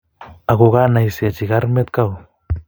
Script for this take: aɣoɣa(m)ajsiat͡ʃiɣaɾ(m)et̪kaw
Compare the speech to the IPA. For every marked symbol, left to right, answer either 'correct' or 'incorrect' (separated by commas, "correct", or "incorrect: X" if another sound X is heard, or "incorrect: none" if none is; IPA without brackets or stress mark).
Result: incorrect: n, correct